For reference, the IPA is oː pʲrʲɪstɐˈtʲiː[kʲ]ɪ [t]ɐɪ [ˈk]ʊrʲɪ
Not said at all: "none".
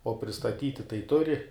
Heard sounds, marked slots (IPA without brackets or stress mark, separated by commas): tʲ, t, t